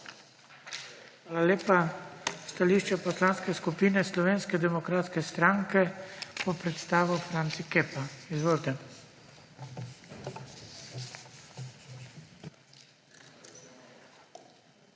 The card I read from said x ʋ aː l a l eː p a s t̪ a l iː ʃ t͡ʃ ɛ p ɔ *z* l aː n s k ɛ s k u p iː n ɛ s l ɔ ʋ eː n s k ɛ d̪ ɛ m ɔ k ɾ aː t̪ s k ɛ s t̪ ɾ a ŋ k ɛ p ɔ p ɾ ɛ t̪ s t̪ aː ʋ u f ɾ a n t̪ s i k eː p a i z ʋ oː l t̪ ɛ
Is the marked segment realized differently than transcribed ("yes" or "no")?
yes